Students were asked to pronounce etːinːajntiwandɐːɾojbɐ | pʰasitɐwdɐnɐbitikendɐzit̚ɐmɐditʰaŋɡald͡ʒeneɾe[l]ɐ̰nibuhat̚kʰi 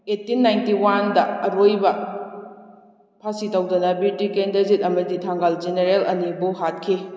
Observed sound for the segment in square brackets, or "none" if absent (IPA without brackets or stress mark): l